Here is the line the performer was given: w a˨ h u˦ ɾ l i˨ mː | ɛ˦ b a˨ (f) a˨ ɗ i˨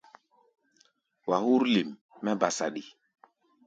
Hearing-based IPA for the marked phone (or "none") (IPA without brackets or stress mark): s